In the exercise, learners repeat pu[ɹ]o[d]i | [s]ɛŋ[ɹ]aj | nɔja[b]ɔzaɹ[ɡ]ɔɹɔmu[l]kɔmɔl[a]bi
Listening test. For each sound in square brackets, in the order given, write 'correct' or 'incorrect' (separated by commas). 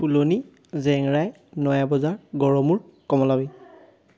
incorrect, incorrect, incorrect, correct, correct, correct, incorrect, correct